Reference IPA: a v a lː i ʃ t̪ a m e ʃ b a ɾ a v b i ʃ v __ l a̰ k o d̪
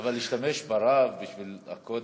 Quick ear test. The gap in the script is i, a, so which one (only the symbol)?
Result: i